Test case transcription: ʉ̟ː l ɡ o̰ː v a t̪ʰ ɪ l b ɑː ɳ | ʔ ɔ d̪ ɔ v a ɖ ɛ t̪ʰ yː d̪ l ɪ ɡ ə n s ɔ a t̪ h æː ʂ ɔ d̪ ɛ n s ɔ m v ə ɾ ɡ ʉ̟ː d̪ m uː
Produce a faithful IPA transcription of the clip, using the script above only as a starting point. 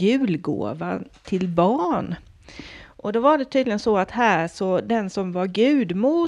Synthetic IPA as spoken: ʉ̟ː l ɡ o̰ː v a t̪ʰ ɪ l b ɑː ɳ | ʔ ɔ d̪ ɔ v a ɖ ɛ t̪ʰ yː d̪ l ɪ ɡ ə n s ɔ a t̪ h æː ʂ ɔ d̪ ɛ n s ɔ m v a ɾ ɡ ʉ̟ː d̪ m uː